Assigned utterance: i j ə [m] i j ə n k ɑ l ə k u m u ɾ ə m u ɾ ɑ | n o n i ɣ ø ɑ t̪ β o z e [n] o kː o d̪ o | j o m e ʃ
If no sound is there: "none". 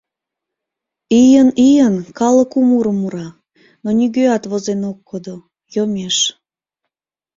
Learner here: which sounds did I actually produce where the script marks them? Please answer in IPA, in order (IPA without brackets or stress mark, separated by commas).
n, n